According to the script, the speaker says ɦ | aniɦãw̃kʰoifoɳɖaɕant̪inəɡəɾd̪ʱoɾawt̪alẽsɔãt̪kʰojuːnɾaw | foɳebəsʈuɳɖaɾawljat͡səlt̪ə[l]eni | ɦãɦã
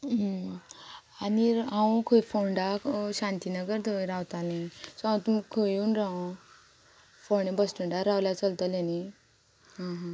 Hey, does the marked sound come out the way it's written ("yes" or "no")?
yes